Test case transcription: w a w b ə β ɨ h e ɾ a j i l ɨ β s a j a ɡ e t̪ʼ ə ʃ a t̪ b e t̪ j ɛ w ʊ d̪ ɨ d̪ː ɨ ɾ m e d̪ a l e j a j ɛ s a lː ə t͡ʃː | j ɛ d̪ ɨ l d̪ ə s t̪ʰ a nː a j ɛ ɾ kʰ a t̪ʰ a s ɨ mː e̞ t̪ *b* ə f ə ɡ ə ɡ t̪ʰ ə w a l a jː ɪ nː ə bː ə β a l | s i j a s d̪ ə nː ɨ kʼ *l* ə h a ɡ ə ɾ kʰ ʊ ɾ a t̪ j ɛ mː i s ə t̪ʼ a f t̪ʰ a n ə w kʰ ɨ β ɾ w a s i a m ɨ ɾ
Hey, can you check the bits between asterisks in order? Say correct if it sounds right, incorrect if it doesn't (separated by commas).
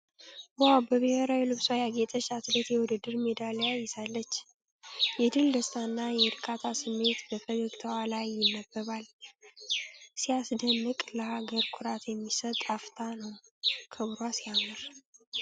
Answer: correct, correct